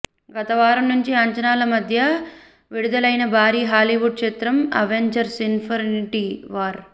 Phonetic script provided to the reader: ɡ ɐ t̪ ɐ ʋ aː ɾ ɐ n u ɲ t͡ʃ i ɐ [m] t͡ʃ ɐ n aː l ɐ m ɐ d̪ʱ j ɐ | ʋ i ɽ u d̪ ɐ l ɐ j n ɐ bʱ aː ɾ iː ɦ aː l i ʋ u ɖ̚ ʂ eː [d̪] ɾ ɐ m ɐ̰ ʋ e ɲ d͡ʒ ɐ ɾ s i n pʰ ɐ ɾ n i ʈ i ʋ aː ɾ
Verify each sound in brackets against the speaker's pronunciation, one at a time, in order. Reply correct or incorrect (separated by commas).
incorrect, incorrect